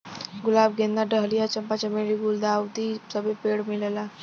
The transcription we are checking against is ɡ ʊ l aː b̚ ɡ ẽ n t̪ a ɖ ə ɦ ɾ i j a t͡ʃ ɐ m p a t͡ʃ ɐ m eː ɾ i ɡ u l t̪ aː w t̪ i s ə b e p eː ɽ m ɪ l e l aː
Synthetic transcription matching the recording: ɡ ʊ l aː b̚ ɡ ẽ n d̪ a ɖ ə ɦ l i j a t͡ʃ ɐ m p a t͡ʃ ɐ m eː ɾ i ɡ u l d̪ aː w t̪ i s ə b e p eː ɽ m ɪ l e l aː